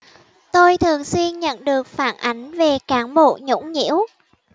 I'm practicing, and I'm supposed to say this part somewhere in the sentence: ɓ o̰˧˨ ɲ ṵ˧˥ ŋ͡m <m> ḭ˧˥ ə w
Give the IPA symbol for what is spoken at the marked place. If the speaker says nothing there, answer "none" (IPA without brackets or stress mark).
ɲ